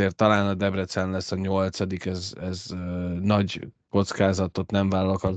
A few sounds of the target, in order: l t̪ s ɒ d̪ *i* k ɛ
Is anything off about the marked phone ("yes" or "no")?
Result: no